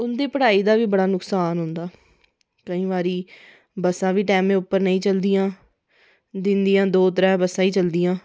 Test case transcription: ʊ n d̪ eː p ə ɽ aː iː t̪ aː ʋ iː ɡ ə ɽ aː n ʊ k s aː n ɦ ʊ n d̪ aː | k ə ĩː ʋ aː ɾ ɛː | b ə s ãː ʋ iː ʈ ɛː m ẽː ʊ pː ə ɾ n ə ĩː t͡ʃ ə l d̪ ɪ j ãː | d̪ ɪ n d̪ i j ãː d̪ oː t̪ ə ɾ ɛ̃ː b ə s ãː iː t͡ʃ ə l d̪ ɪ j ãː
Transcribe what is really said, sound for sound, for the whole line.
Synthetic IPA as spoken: ʊ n d̪ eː p ə ɽ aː iː d̪ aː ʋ iː b ə ɽ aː n ʊ k s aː n ɦ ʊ n d̪ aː | k ə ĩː ʋ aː ɾ iː | b ə s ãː ʋ iː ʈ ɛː m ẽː ʊ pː ə ɾ n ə ĩː t͡ʃ ə l d̪ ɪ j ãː | d̪ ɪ n d̪ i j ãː d̪ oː t̪ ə ɾ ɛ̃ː b ə s ãː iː t͡ʃ ə l d̪ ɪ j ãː